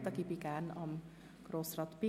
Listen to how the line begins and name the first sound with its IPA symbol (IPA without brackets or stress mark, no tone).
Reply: t̪